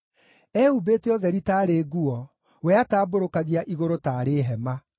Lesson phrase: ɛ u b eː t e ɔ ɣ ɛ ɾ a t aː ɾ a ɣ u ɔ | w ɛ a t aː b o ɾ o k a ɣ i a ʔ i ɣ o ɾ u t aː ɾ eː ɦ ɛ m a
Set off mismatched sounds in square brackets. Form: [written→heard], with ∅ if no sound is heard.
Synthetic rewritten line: ɛ u b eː t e ɔ [ɣ→ð] ɛ ɾ [a→i] t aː ɾ [a→e] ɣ u ɔ | w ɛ a t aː b o ɾ o k a ɣ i a ʔ i ɣ o ɾ [u→o] t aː ɾ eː ɦ ɛ m a

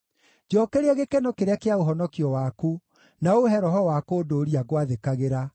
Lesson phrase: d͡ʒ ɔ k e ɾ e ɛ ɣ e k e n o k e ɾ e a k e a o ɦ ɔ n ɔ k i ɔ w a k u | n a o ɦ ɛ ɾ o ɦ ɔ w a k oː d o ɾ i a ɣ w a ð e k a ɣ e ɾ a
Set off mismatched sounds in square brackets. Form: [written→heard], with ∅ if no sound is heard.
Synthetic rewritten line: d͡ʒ ɔ k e ɾ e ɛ ɣ e k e n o k e ɾ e a k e a o ɦ ɔ n ɔ k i ɔ w a k u | n a o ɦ ɛ ɾ [o→ɔ] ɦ ɔ w a k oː d o ɾ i a ɣ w a ð e k a ɣ e ɾ a

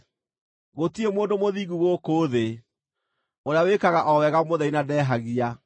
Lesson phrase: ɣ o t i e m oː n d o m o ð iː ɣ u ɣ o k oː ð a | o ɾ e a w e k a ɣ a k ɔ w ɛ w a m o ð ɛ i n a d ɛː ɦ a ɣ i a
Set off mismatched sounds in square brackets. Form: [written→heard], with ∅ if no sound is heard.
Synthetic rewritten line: ɣ o t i e m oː n d o m o ð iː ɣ u ɣ o k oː ð [a→e] | o ɾ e a w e k a ɣ a [k→ʔ] ɔ w ɛ [w→ɣ] a m o ð ɛ i n a d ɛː ɦ a ɣ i a

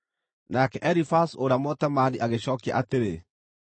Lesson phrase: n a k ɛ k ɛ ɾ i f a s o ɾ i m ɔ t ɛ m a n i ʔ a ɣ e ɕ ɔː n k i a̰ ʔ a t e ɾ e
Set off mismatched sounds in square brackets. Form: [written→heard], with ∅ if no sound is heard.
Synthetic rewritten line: n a k ɛ [k→ʔ] ɛ ɾ i f a s o ɾ [i→a] m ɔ t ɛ m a n i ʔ a ɣ e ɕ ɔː [n→∅] k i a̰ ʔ a t e ɾ e

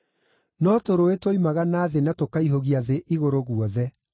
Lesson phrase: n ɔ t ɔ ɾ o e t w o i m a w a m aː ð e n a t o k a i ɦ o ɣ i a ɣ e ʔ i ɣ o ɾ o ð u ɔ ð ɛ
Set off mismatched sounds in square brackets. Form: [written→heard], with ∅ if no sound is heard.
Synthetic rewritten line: n ɔ t [ɔ→o] ɾ o e t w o i m a [w→ɣ] a [m→n] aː ð e n a t o k a i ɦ o ɣ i a [ɣ→ð] e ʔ i ɣ o ɾ o [ð→ɣ] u ɔ ð ɛ

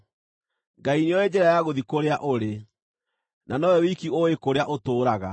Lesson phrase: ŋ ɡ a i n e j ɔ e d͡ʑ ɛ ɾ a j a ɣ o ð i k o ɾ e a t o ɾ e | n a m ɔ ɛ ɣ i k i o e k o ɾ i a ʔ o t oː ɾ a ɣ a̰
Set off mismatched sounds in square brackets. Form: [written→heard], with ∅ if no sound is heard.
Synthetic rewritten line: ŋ ɡ a i n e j ɔ e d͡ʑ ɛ ɾ a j a ɣ o ð i k o ɾ e a [t→ʔ] o ɾ e | n a [m→n] ɔ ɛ [ɣ→w] i k i o e k o ɾ [i→e] a ʔ o t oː ɾ a ɣ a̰

